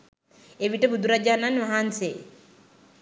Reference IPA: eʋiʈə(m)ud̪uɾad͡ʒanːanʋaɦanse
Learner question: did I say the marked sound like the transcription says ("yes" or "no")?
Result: no